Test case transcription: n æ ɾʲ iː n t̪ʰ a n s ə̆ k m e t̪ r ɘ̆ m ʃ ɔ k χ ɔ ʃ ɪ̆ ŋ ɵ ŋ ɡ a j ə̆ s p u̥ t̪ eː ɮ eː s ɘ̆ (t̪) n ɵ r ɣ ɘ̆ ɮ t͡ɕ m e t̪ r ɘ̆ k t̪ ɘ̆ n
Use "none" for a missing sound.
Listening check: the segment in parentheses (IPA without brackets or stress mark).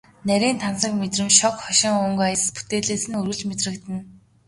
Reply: none